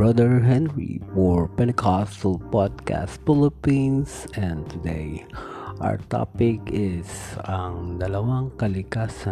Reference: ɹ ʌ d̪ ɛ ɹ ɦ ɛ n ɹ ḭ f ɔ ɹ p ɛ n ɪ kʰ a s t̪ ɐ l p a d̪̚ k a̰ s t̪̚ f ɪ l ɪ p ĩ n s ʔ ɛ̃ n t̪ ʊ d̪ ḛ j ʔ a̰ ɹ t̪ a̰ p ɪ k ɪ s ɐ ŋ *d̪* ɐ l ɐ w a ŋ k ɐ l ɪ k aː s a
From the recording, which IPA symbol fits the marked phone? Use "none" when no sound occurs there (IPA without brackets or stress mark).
d̪